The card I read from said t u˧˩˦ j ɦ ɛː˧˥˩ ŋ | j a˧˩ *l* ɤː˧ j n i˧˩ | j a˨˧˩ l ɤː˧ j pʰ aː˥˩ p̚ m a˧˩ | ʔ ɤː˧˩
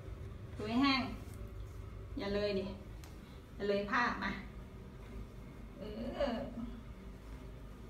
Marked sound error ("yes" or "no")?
no